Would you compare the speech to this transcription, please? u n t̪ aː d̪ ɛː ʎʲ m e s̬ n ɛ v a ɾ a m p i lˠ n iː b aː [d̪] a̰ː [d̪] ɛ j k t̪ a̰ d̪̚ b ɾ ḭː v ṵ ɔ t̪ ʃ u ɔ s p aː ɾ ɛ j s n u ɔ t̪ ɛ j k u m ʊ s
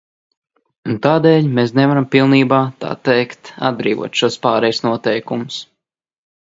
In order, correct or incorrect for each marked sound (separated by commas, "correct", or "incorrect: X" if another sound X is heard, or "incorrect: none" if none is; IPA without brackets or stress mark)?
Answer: incorrect: t̪, incorrect: t̪